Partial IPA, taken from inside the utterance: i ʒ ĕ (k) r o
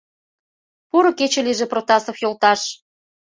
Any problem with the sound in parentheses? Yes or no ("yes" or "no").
yes